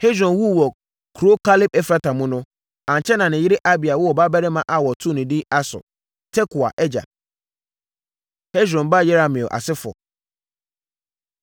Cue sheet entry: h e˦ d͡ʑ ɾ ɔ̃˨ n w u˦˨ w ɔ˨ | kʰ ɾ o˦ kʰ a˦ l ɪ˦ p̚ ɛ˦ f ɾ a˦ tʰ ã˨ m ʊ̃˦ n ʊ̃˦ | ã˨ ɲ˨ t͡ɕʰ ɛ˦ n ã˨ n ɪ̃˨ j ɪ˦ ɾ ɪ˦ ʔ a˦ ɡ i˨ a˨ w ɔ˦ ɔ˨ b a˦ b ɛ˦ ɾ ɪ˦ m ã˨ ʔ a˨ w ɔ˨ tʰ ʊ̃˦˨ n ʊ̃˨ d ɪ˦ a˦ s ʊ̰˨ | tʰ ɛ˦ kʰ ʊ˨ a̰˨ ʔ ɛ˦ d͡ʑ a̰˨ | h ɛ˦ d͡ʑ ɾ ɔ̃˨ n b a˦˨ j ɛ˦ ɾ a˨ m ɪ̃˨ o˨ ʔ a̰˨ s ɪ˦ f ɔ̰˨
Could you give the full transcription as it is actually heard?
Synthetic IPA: h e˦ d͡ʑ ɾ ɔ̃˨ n w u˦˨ w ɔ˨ | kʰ ɾ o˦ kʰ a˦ l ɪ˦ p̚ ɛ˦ f ɾ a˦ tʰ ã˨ m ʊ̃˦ n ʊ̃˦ | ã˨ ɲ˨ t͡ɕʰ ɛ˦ n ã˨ n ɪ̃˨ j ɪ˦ ɾ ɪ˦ ʔ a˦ b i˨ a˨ w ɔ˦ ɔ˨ b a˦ b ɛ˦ ɾ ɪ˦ m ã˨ ʔ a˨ w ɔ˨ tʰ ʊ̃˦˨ n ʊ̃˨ d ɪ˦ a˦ s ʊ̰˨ | tʰ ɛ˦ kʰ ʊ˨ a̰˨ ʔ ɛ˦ d͡ʑ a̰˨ | h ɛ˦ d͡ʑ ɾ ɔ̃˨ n b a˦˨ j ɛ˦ ɾ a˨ m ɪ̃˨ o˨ ʔ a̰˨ s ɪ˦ f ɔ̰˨